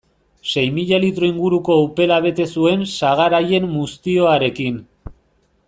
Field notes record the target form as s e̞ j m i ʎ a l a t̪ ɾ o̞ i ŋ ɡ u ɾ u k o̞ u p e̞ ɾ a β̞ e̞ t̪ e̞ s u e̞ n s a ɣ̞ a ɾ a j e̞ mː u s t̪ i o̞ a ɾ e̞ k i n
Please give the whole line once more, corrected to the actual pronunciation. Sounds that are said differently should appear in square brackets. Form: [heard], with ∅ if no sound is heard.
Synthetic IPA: s e̞ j m i ʎ a l [i] t̪ ɾ o̞ i ŋ ɡ u ɾ u k o̞ u p e̞ [l] a β̞ e̞ t̪ e̞ s u e̞ n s a ɣ̞ a ɾ a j e̞ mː u s t̪ i o̞ a ɾ e̞ k i n